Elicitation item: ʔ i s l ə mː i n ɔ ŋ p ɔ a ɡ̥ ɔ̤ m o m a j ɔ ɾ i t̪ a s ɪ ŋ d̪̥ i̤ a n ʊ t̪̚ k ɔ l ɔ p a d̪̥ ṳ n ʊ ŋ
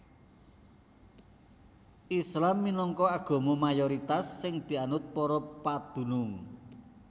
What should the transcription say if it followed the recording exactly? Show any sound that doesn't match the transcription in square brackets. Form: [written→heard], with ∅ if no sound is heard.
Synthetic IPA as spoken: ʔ i s l [ə→a] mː i n ɔ ŋ [p→k] ɔ a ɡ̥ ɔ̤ m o m a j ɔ ɾ i t̪ a [s→sː] ɪ ŋ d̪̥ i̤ a n ʊ t̪̚ [k→p] ɔ [l→ɾ] ɔ p a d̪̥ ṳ n ʊ ŋ

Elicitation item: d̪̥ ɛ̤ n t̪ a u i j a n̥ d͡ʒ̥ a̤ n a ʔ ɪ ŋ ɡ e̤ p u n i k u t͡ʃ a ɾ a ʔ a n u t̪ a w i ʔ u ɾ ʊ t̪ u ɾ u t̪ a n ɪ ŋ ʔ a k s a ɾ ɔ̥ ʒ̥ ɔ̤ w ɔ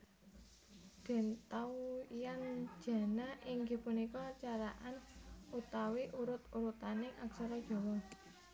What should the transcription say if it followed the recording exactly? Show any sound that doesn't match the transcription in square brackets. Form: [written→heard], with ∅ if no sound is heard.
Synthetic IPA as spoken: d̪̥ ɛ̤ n t̪ a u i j a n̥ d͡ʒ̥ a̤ n a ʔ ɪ ŋ ɡ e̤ p u n i k [u→ɔ] t͡ʃ a ɾ a ʔ a n u t̪ a w i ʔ u ɾ ʊ t̪ u ɾ u t̪ a n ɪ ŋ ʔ a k s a ɾ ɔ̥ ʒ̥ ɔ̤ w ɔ

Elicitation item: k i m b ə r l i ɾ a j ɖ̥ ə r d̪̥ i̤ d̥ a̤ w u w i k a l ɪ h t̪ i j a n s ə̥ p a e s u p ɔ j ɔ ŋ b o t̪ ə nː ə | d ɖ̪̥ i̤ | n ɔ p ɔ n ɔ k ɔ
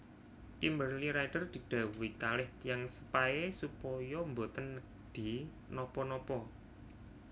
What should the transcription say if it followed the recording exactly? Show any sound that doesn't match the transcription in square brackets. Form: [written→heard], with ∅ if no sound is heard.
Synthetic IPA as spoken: k i m b ə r l i ɾ a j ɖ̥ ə r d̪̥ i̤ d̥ a̤ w u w i k a l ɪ h t̪ i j a [n→ŋ] s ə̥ p a e s u p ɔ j ɔ [ŋ→m] b o t̪ ə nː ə | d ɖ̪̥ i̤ | n ɔ p ɔ n ɔ [k→p] ɔ

